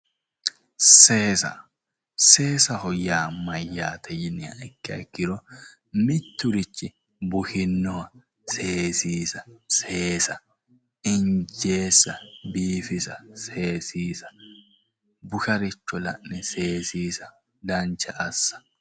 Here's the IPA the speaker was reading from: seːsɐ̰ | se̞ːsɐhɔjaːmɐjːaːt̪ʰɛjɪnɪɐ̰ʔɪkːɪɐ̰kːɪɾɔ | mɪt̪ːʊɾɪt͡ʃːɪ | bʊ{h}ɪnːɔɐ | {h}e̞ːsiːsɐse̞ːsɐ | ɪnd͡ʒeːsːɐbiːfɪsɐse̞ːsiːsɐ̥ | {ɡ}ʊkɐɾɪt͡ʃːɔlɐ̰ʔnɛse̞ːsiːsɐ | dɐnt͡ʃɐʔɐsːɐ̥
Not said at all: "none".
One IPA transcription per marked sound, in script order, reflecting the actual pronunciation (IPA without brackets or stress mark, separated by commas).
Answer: h, s, b